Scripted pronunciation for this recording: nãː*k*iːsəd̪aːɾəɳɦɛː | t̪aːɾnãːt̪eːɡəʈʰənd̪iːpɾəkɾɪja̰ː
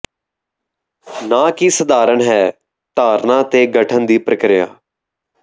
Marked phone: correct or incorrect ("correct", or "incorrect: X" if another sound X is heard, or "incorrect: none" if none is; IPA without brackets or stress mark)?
correct